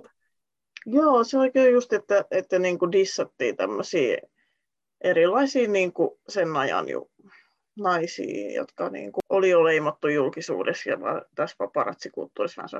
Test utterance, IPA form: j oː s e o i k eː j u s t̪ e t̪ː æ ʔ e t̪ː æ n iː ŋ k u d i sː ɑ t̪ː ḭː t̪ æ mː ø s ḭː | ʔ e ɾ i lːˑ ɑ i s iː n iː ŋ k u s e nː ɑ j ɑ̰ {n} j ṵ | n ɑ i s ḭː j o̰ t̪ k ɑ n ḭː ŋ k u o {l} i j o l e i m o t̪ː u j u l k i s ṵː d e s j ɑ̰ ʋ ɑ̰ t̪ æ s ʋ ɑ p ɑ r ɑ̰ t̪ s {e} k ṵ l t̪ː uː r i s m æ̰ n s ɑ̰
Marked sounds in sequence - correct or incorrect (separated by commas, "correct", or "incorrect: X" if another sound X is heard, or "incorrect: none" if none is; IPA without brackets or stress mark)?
correct, correct, incorrect: i